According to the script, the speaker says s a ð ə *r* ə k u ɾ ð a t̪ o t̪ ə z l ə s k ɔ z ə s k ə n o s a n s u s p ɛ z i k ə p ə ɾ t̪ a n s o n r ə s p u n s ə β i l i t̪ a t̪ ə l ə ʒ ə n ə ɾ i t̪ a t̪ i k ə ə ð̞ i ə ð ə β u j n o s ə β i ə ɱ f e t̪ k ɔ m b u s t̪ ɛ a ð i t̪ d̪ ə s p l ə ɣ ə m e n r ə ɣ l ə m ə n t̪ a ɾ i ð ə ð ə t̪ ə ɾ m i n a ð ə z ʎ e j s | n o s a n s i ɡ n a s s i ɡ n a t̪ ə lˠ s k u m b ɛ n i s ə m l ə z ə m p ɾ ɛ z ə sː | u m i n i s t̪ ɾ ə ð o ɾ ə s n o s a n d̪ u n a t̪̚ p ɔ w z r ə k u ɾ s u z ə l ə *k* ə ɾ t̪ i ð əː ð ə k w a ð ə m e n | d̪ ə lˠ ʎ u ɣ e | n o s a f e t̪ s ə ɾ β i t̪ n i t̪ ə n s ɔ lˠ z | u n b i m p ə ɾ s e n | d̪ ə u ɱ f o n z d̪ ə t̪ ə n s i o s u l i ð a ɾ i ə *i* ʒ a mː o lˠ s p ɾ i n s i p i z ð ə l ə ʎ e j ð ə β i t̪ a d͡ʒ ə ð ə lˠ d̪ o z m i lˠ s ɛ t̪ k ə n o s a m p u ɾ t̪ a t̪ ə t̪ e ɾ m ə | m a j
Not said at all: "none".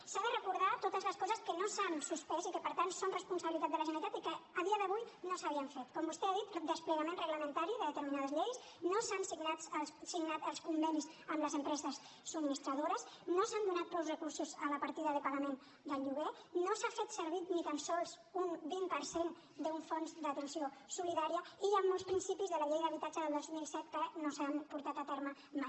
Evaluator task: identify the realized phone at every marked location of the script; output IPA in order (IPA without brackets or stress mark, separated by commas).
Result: r, p, i